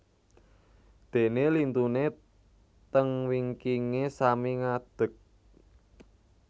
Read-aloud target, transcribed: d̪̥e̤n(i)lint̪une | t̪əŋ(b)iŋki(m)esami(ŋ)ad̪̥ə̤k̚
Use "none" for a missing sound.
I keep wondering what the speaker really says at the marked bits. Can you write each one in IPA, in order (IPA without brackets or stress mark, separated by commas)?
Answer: e, w, ŋ, ŋ